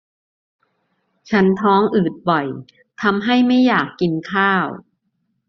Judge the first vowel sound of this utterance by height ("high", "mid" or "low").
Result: low